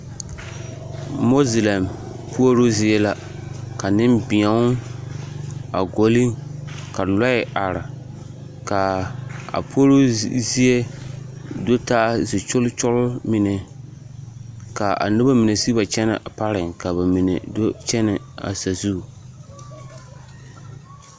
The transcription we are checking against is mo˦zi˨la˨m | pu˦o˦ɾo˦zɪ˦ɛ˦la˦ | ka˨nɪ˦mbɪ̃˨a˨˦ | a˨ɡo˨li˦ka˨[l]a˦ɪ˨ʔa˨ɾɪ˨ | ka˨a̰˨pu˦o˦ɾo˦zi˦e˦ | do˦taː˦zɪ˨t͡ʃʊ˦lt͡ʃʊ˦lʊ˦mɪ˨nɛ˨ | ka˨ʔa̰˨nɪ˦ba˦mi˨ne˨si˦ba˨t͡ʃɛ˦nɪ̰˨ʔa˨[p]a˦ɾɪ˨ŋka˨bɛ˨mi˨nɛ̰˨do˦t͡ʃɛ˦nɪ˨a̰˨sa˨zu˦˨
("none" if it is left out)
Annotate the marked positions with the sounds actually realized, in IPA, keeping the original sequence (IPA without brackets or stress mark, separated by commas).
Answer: l, p